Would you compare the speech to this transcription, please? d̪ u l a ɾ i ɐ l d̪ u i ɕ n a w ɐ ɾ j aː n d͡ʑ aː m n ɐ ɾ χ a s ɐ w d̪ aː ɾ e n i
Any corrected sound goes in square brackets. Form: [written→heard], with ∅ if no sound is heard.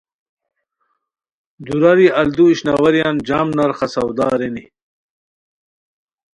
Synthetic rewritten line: d̪ u [l→ɾ] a ɾ i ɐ l d̪ u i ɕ n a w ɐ ɾ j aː n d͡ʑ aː m n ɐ ɾ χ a s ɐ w d̪ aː ɾ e n i